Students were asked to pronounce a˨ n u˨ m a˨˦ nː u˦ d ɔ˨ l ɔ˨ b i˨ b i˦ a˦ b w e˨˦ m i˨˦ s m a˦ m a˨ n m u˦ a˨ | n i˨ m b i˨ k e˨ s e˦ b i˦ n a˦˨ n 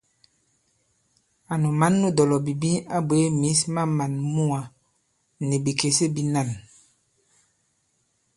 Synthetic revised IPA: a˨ n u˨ m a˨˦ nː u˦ d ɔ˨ l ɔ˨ b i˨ b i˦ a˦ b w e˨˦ m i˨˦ s m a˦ m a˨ n m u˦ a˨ | n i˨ b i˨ k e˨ s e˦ b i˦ n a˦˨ n